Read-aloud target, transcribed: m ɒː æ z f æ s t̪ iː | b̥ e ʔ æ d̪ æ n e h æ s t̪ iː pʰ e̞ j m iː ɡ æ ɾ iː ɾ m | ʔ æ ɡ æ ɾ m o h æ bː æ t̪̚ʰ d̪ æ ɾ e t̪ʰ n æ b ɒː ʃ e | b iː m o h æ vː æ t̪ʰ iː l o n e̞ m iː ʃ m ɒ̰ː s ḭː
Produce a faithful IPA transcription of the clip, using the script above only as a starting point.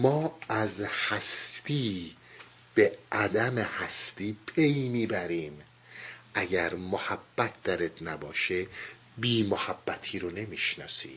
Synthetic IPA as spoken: m ɒː æ z h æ s t̪ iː | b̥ e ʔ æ d̪ æ m e h æ s t̪ iː pʰ e̞ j m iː b æ ɾ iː m | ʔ æ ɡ æ ɾ m o h æ bː æ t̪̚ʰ d̪ æ ɾ e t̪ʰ n æ b ɒː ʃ e | b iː m o h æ bː æ t̪ʰ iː ɾ o n e̞ m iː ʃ n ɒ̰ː s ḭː